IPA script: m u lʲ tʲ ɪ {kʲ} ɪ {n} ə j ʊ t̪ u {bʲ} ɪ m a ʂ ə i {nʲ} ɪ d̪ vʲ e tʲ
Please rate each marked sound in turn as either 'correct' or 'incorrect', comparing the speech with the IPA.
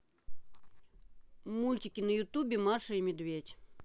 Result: correct, correct, correct, incorrect: mʲ

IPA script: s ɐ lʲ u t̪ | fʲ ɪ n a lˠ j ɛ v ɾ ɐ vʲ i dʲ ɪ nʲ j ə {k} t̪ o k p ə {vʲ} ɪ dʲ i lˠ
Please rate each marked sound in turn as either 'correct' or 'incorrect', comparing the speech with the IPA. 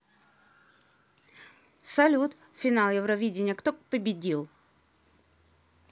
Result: correct, incorrect: bʲ

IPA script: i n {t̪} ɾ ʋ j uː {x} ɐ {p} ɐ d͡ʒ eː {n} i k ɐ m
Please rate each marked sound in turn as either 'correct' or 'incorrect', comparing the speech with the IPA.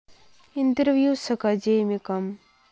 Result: correct, incorrect: s, incorrect: k, incorrect: m

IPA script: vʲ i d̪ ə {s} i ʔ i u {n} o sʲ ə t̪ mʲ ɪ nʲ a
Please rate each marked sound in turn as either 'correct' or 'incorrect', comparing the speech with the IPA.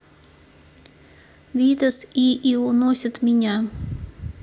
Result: correct, correct

